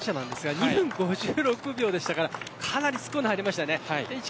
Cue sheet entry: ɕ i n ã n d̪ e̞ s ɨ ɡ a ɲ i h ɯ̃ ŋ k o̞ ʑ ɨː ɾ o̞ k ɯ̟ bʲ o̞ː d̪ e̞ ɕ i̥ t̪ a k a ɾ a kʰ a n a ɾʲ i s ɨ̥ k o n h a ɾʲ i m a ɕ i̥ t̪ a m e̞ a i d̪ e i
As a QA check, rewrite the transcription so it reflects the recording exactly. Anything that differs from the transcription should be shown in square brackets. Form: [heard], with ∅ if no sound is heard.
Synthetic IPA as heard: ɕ [a] n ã n d̪ e̞ s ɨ ɡ a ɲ i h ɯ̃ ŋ [ɡ] o̞ ʑ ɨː ɾ o̞ k ɯ̟ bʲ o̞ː d̪ e̞ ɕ i̥ t̪ a k a ɾ a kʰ a n a ɾʲ i s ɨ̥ k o n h a ɾʲ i m a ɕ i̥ t̪ a [n] e̞ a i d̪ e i